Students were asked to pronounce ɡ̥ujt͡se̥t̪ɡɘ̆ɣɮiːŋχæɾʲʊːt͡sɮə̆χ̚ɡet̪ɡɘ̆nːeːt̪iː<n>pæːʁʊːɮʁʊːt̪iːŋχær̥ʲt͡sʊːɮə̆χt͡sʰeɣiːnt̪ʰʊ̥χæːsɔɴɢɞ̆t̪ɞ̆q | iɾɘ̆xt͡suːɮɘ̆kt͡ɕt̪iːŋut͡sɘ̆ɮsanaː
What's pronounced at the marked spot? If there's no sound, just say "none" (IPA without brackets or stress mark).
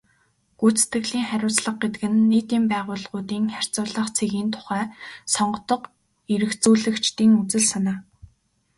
m